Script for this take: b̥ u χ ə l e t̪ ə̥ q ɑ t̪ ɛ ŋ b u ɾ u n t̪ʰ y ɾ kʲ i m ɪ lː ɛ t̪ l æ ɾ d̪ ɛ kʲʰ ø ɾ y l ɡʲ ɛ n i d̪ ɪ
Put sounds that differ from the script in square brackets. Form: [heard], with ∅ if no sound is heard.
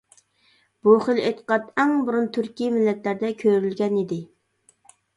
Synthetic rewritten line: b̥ u χ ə l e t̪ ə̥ q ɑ t̪ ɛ ŋ b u ɾ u n t̪ʰ y ɾ kʲ i m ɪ lː ɛ t̪ l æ ɾ d̪ ɛ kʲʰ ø ɾ y l ɡʲ ɛ n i d̪ ɪ